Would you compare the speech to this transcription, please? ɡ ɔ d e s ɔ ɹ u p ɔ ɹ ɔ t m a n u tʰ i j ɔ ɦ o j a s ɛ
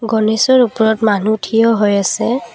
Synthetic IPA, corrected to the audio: ɡ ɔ n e s ɔ ɹ u p ɔ ɹ ɔ t m a n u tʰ i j ɔ ɦ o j a s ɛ

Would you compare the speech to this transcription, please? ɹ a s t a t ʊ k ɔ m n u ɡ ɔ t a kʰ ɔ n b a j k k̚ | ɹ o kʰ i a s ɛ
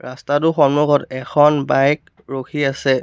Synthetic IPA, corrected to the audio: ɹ a s t a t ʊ x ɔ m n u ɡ ɔ t ɛ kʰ ɔ n b a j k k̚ | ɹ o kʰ i a s ɛ

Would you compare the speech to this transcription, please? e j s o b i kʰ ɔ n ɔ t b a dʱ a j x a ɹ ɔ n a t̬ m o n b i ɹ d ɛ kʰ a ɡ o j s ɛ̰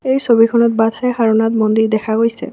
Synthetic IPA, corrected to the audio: e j s o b i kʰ ɔ n ɔ t b a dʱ a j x a ɹ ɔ n a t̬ m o n d i ɹ d ɛ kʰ a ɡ o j s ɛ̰

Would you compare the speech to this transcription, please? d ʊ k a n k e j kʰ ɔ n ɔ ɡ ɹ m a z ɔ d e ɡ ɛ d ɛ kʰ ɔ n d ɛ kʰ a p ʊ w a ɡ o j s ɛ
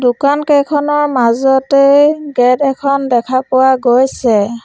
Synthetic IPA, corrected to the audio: d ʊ k a n k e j kʰ ɔ n ɔ ɹ m a z ɔ t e ɡ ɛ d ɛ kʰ ɔ n d ɛ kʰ a p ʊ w a ɡ o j s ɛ

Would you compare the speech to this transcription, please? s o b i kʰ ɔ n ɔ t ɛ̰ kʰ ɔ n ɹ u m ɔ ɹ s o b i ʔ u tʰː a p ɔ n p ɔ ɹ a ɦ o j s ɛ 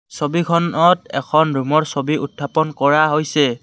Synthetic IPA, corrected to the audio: s o b i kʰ ɔ n ɔ t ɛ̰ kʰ ɔ n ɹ u m ɔ ɹ s o b i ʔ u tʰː a p ɔ n k ɔ ɹ a ɦ o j s ɛ

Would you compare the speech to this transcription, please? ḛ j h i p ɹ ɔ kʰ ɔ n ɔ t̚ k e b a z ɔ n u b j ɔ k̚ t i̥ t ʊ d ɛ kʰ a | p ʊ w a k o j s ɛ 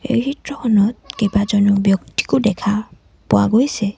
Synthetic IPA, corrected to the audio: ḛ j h i t ɹ ɔ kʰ ɔ n ɔ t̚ k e b a z ɔ n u b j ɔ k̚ t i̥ k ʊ d ɛ kʰ a | p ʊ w a ɡ o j s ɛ

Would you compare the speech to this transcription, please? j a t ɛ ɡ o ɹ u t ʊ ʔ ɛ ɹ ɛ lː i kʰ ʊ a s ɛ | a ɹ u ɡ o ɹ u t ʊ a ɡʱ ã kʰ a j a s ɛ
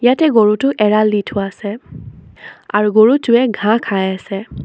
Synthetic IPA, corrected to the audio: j a t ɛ ɡ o ɹ u t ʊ ʔ ɛ ɹ a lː i tʰ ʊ a s ɛ | a ɹ u ɡ o ɹ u t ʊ ɛ ɡʱ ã kʰ a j a s ɛ

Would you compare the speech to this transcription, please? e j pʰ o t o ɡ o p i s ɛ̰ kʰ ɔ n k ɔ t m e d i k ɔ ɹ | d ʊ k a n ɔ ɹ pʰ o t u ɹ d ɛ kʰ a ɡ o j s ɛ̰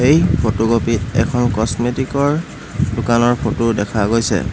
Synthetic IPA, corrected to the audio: e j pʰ o t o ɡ o p i t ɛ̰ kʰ ɔ n k ɔ s m e t i k ɔ ɹ | d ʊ k a n ɔ ɹ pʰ o t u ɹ d ɛ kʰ a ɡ o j s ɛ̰

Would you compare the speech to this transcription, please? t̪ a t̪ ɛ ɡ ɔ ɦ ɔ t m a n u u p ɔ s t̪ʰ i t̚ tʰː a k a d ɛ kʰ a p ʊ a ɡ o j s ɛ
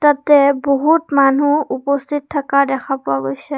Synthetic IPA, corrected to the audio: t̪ a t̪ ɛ b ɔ ɦ u t m a n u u p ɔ s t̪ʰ i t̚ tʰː a k a d ɛ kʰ a p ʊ a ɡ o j s ɛ

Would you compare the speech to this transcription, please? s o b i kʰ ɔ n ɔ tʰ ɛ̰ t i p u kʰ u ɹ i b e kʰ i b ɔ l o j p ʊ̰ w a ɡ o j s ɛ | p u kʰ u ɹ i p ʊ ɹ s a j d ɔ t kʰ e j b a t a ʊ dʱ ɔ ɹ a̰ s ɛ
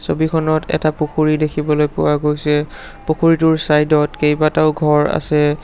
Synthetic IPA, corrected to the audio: s o b i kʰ ɔ n ɔ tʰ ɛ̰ t a p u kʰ u ɹ i d e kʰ i b ɔ l o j p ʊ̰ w a ɡ o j s ɛ | p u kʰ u ɹ i t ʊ ɹ s a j d ɔ t k e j b a t a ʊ ɡʱ ɔ ɹ a̰ s ɛ

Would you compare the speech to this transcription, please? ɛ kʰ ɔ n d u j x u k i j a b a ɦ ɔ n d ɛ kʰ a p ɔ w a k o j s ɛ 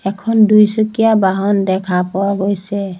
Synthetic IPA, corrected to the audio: ɛ kʰ ɔ n d u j s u k i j a b a ɦ ɔ n d ɛ kʰ a p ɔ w a ɡ o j s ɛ

